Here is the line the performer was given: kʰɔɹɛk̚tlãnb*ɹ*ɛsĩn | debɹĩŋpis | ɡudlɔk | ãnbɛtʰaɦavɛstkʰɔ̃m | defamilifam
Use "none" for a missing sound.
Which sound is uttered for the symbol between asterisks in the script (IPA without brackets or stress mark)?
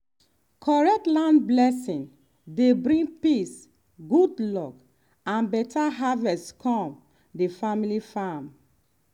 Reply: l